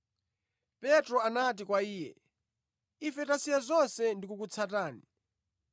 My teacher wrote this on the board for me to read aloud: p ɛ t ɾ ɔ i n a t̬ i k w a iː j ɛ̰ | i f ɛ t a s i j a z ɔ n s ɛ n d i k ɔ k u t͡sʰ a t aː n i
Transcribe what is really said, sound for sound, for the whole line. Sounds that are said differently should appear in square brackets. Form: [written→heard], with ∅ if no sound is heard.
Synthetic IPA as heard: p ɛ t ɾ ɔ [i→a] n a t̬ i k w a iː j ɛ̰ | i f ɛ t a s i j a z ɔ n s ɛ n d i k [ɔ→u] k u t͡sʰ a t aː n i